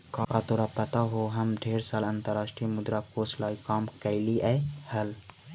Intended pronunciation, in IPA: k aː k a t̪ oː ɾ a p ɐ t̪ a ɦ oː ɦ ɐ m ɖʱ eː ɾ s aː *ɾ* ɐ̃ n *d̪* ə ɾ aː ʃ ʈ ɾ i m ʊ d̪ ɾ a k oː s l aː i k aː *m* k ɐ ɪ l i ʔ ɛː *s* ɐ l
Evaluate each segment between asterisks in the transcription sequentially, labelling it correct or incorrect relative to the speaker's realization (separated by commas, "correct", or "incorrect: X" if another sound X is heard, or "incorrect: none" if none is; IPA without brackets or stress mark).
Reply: incorrect: l, incorrect: t̪, correct, incorrect: h